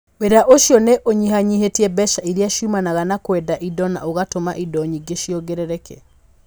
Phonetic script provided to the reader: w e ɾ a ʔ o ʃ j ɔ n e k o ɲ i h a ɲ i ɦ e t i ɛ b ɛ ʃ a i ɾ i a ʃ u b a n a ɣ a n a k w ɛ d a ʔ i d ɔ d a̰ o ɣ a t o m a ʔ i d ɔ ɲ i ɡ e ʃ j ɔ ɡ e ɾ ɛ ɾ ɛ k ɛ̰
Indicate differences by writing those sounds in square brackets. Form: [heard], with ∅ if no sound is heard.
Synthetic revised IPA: w e ɾ a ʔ o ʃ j ɔ n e [ʔ] o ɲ i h a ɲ i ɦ e t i ɛ b ɛ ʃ a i ɾ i a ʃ u [m] a n a ɣ a n a k w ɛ d a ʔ i d ɔ [n] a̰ o ɣ a t o m a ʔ i d ɔ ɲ i ɡ e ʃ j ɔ ɡ e ɾ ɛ ɾ ɛ k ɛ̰